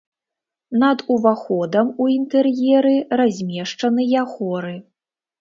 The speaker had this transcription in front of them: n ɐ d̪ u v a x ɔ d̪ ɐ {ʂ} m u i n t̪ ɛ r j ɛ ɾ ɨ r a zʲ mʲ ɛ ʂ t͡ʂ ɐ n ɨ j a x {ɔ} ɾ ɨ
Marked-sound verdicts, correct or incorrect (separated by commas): incorrect, correct